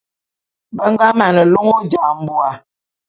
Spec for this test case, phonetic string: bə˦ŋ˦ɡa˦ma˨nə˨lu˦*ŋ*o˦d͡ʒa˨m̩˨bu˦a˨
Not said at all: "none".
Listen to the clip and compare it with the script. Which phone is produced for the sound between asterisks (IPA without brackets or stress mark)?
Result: ŋ